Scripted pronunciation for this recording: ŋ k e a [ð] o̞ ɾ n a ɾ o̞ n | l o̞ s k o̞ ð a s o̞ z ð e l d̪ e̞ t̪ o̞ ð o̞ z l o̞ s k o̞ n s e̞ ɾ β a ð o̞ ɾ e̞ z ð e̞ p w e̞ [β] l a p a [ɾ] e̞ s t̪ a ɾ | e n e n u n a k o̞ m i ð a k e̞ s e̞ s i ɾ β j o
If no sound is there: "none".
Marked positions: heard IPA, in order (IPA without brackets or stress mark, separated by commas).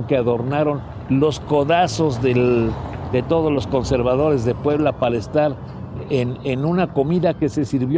ð, β, l